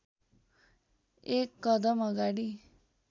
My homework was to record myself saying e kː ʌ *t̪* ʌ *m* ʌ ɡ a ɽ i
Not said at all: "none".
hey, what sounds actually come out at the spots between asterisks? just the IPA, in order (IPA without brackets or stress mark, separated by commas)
d̪, m